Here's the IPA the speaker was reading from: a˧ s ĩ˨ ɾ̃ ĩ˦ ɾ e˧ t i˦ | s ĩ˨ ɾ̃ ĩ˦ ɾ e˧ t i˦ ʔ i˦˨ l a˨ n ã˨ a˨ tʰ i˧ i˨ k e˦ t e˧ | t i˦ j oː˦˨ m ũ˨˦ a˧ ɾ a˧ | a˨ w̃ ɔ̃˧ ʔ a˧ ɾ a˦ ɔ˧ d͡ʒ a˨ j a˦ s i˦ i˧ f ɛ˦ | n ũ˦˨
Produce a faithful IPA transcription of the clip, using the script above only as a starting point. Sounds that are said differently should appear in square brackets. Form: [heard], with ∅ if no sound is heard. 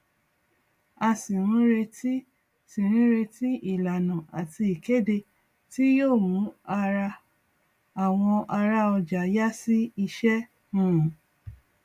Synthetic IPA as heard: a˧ s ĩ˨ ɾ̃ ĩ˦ ɾ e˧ t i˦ | s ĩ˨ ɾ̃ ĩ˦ ɾ e˧ t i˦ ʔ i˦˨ l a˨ n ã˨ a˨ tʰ i˧ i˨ k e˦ [d] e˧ | t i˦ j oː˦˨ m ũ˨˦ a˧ ɾ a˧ | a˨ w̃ ɔ̃˧ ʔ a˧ ɾ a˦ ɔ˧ d͡ʒ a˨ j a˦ s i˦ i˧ [ʃ] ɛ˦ | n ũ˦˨